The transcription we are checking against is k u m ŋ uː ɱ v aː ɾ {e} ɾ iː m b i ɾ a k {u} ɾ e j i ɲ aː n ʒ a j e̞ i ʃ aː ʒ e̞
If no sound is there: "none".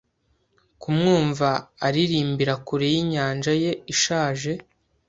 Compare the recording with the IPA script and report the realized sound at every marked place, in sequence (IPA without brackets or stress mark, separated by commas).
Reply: i, u